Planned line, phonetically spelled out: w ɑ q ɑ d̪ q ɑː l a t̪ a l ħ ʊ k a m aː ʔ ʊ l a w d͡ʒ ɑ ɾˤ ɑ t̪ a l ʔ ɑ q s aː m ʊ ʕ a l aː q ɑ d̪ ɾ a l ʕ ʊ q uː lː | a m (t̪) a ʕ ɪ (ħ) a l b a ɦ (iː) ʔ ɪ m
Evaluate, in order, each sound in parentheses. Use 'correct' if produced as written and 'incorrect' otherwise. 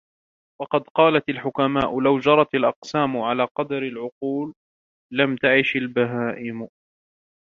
correct, incorrect: ʃ, incorrect: aː

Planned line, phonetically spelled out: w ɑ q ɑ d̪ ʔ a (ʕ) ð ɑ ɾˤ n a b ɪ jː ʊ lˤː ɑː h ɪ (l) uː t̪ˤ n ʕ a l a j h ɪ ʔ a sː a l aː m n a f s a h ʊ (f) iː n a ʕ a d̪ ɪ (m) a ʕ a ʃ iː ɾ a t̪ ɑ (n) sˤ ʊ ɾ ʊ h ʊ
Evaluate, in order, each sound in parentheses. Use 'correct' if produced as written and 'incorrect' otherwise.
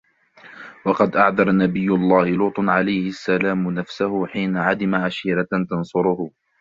correct, correct, incorrect: ħ, correct, correct

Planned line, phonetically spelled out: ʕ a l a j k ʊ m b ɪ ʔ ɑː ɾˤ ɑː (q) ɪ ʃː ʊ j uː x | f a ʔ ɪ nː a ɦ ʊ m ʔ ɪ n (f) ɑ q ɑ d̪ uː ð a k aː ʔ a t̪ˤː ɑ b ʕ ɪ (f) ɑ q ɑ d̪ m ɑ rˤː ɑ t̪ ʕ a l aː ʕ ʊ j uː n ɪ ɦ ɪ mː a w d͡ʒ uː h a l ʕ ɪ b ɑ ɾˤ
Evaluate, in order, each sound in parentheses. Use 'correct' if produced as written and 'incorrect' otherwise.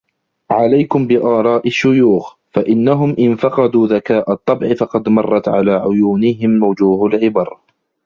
incorrect: ʔ, correct, correct

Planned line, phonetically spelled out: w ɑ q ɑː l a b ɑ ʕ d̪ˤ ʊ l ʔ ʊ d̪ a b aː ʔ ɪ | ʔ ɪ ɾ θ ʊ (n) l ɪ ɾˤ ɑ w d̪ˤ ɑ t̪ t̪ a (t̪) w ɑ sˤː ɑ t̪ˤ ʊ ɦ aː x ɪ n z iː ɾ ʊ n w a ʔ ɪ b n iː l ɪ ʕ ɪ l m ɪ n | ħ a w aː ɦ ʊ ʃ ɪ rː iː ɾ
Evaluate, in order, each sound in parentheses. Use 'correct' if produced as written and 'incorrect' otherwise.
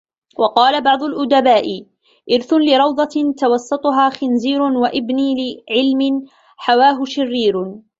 correct, incorrect: none

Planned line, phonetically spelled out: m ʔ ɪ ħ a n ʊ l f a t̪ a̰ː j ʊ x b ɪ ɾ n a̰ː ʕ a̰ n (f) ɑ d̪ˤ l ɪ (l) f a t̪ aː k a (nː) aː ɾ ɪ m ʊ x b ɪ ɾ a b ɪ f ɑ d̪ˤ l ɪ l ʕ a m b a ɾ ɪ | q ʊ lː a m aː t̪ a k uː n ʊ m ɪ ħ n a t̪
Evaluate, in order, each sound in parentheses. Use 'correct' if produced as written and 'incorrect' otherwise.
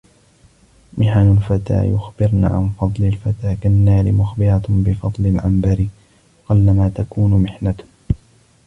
correct, correct, correct

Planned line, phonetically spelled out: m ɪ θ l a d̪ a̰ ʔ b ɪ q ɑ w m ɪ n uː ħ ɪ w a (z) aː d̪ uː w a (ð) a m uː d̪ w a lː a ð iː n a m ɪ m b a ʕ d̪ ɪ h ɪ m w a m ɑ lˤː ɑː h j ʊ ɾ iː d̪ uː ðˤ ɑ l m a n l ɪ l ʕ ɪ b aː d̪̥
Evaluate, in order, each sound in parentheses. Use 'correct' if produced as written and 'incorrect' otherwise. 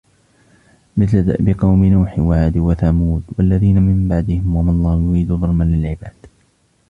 incorrect: ʕ, incorrect: θ

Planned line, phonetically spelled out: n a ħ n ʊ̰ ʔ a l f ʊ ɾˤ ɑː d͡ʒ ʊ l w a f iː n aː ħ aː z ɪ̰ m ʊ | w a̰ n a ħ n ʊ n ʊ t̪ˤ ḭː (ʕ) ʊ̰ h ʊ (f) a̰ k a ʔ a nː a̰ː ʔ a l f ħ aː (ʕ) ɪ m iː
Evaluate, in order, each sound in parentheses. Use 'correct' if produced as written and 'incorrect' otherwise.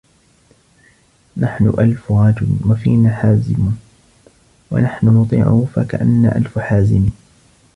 correct, correct, incorrect: z

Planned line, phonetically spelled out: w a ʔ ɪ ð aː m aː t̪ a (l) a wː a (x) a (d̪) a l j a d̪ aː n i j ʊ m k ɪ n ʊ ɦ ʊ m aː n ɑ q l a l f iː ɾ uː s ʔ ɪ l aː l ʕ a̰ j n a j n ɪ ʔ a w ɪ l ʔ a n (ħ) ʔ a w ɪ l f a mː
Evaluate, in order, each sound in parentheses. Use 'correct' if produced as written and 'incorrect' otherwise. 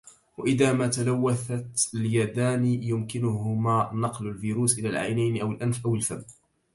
correct, incorrect: θ, incorrect: t̪, incorrect: f

